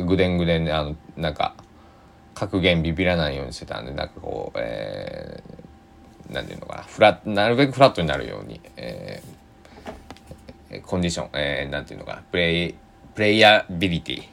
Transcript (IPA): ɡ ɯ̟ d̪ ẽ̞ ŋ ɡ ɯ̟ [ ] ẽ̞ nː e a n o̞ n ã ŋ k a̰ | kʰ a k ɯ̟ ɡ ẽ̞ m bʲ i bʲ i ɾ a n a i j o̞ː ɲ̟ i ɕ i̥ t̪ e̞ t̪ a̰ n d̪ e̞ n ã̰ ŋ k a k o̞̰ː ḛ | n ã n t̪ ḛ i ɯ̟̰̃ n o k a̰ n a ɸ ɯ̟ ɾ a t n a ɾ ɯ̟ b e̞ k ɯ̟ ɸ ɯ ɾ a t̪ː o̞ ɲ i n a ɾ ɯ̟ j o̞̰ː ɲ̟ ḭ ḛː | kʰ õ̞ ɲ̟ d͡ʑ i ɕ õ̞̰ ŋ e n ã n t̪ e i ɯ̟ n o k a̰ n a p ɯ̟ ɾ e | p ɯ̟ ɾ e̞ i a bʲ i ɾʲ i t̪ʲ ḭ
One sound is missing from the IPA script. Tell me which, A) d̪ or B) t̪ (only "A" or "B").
A